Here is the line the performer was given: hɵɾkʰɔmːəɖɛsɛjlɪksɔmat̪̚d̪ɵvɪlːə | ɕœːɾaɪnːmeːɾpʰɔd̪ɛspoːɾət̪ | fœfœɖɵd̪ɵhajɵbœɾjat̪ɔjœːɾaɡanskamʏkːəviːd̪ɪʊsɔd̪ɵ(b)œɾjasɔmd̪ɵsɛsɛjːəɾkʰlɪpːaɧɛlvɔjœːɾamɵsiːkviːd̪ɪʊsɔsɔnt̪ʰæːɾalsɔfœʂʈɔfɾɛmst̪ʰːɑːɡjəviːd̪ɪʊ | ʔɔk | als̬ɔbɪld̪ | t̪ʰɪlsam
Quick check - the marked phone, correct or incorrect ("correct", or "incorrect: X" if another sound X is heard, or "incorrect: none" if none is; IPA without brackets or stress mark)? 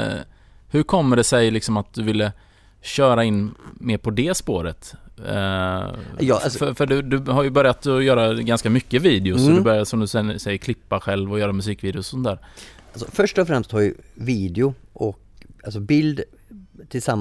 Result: correct